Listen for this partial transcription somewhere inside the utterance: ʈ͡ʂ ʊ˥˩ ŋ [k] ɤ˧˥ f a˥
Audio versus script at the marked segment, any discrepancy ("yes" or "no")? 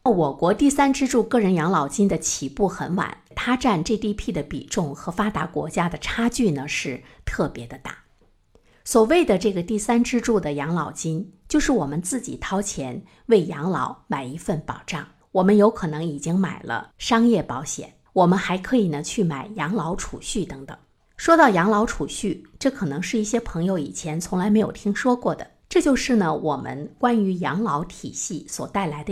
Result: yes